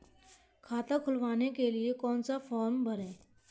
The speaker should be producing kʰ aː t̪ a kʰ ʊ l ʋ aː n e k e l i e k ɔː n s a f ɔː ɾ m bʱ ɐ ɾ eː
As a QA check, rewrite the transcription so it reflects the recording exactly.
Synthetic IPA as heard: kʰ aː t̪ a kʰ ʊ l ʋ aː n e k e l i e k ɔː n s a f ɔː ɾ m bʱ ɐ ɾ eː